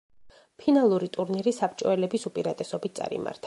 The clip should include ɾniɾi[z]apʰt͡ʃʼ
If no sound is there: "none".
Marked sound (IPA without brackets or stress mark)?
s